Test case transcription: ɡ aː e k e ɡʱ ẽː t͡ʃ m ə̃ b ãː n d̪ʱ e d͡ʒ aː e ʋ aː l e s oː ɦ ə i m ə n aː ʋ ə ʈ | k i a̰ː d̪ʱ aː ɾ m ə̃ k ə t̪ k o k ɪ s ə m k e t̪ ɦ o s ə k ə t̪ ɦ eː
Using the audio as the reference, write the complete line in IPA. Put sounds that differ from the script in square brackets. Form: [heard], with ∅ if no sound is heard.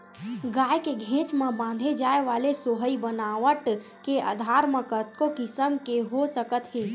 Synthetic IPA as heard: ɡ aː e k e ɡʱ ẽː t͡ʃ m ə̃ b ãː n d̪ʱ e d͡ʒ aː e ʋ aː l e s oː ɦ ə i [b] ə n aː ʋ ə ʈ | k [e] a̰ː d̪ʱ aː ɾ m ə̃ k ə t̪ k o k ɪ s ə m k e [∅] ɦ o s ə k ə t̪ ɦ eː